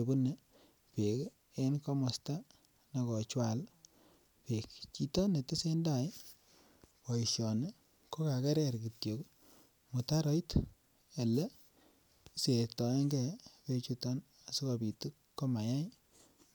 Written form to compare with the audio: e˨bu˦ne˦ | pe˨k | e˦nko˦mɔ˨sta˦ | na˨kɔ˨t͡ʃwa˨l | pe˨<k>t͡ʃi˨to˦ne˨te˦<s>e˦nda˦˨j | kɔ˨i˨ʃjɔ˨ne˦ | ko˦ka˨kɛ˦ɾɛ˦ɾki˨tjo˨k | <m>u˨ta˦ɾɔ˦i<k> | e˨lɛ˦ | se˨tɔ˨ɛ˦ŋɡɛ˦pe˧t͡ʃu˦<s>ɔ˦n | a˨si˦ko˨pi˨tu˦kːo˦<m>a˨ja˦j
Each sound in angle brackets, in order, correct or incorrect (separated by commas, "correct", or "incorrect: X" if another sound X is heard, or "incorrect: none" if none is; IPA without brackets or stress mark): correct, correct, correct, incorrect: t, incorrect: t, correct